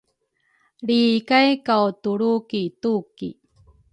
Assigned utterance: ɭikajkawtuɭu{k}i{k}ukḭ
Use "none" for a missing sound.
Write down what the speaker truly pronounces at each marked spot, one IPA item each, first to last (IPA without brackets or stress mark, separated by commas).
k, t